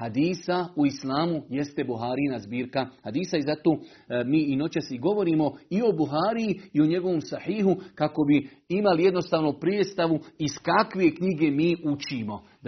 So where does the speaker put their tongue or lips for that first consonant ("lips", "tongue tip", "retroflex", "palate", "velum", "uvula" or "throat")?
throat